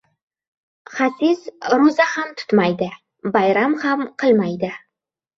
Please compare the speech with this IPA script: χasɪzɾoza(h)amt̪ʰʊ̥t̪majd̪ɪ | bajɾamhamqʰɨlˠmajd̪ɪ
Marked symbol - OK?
yes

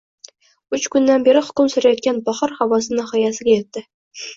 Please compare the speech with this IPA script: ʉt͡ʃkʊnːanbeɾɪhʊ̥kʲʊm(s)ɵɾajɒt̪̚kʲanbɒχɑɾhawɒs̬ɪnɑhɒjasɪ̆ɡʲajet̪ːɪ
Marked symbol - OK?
yes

